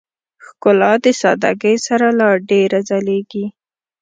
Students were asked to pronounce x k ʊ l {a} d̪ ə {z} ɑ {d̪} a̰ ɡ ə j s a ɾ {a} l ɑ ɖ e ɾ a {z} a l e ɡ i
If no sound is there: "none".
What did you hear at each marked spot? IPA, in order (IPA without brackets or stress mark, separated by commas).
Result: ɑ, s, d̪, a, z